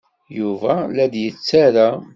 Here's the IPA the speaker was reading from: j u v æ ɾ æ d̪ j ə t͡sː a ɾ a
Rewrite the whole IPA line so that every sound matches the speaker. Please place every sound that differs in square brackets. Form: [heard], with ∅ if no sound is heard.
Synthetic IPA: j u v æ [l] æ d̪ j ə t͡sː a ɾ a